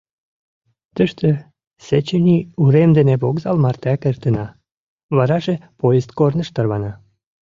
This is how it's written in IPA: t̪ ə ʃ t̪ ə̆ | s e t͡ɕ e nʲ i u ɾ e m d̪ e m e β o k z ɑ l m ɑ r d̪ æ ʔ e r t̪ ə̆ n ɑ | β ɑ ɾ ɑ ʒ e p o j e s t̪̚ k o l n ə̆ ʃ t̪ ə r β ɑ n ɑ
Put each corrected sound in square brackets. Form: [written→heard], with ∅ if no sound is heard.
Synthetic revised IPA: t̪ ə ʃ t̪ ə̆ | s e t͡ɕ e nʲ i u ɾ e m d̪ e [m→n] e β o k z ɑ l m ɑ r [d̪→t̪] æ [ʔ→k] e r t̪ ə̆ n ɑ | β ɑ ɾ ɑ ʒ e p o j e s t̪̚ k o [l→r] n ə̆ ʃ t̪ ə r β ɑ n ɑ